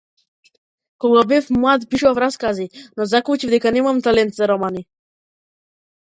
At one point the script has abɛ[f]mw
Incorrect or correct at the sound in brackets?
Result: correct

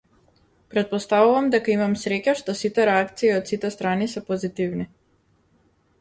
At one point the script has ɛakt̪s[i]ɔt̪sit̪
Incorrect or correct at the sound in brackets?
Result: incorrect: iː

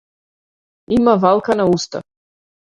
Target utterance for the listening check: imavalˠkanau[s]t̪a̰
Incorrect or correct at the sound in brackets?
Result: correct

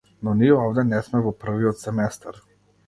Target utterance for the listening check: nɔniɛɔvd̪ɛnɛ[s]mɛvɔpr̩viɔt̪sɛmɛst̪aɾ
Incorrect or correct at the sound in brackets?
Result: correct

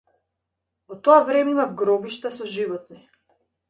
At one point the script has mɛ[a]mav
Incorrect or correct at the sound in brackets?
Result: incorrect: i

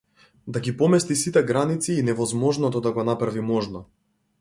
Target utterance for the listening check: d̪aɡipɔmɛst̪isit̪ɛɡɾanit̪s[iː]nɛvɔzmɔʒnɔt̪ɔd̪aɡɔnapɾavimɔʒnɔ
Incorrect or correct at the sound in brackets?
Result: correct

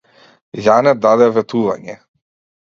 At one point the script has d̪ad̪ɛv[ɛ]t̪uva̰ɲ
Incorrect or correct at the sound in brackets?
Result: correct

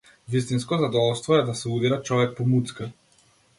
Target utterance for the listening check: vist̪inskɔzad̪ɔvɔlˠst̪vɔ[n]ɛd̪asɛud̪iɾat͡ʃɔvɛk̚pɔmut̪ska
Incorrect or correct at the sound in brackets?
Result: incorrect: none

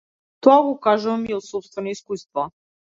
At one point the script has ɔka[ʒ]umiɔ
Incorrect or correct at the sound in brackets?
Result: correct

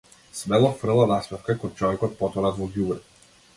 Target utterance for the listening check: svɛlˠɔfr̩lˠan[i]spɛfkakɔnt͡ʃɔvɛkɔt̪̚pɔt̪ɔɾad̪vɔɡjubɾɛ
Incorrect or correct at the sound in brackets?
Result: incorrect: a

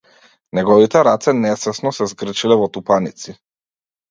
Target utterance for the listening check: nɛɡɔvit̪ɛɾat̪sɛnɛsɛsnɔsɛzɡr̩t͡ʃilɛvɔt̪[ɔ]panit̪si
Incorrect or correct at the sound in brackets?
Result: incorrect: u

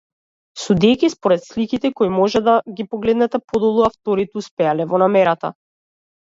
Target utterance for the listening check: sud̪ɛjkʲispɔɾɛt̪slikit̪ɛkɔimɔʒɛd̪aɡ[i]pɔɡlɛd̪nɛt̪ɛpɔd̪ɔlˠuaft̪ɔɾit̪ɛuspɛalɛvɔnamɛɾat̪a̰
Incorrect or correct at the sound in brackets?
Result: correct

